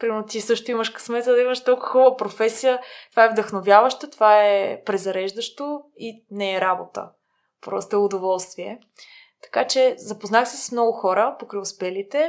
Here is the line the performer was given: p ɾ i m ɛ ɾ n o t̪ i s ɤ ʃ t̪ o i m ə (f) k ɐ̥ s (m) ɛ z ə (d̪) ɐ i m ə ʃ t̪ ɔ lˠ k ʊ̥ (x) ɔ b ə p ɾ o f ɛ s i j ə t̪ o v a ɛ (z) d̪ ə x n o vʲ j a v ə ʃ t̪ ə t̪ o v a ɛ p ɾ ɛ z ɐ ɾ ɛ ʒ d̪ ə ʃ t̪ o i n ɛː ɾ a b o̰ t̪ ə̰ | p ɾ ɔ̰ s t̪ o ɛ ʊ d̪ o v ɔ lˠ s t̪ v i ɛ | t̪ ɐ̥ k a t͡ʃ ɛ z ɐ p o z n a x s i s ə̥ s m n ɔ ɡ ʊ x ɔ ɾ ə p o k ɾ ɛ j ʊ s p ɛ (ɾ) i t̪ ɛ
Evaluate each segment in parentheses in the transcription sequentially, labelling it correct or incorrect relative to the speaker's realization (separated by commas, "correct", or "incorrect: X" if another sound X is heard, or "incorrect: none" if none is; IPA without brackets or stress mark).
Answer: incorrect: ʃ, correct, correct, correct, incorrect: v, incorrect: l